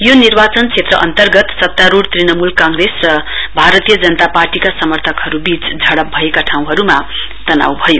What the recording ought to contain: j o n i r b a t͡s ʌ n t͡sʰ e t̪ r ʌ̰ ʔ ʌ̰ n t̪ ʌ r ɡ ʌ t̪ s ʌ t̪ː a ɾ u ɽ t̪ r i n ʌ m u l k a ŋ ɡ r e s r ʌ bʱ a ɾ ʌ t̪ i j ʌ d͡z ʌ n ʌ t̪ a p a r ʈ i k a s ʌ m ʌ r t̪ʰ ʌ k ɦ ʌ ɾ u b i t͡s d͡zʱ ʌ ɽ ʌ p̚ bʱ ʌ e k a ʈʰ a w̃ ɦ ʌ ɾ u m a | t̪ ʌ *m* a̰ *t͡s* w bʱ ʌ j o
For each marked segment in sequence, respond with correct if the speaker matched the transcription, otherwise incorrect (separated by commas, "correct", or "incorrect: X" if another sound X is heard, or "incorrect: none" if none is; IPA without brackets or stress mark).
incorrect: n, incorrect: none